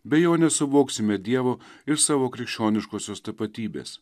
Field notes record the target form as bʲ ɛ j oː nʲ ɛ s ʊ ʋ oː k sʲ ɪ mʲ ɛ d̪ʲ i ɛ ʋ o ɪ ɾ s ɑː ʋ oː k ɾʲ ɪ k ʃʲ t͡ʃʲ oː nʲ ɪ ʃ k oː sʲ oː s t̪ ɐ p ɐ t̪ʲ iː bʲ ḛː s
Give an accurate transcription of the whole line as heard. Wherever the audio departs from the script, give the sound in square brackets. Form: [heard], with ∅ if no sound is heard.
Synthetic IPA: bʲ ɛ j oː nʲ ɛ s ʊ ʋ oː k sʲ ɪ mʲ ɛ d̪ʲ i ɛ ʋ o ɪ ɾ s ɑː ʋ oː k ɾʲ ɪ k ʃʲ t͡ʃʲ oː nʲ ɪ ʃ k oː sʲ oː s t̪ ɐ p ɐ t̪ʲ iː bʲ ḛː s